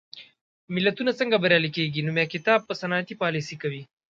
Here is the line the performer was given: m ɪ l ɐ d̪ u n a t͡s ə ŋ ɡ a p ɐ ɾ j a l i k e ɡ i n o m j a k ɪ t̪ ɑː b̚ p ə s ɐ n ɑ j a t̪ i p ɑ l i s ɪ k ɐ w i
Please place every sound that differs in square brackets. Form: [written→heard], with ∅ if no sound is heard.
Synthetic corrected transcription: m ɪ l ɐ [d̪→t̪] u n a t͡s ə ŋ ɡ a [p→b] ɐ ɾ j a l i k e ɡ i n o m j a k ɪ t̪ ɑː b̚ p ə s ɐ n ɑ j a t̪ i p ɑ l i s [ɪ→i] k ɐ w i